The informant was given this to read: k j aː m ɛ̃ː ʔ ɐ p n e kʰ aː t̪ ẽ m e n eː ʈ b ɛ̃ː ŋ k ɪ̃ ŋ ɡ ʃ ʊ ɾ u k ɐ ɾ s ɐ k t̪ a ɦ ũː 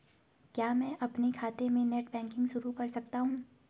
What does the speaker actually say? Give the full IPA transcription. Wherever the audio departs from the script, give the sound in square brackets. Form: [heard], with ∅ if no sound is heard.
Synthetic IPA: k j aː m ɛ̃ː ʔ ɐ p n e kʰ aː t̪ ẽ m [ẽ] n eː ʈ b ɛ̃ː ŋ k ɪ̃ ŋ ɡ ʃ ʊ ɾ u k ɐ ɾ s ɐ k t̪ a ɦ ũː

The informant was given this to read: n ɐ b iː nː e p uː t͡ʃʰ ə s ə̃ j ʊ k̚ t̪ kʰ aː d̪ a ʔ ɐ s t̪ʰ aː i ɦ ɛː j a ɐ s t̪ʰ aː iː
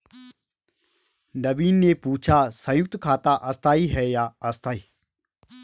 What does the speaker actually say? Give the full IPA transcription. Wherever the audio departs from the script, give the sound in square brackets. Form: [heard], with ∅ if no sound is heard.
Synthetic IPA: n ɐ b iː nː e p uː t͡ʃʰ [a] s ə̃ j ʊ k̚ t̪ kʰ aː [t̪] a ʔ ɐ s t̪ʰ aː i ɦ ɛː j a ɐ s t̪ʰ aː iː

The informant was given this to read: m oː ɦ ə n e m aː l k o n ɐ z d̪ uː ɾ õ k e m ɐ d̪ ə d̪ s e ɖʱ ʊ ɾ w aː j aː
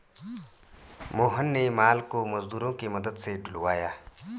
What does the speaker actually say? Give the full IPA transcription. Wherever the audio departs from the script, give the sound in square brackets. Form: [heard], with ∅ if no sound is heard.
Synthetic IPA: m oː ɦ ə [nː] e m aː l k o [m] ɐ z d̪ uː ɾ õ k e m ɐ d̪ ə d̪ s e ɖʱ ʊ [l] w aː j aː

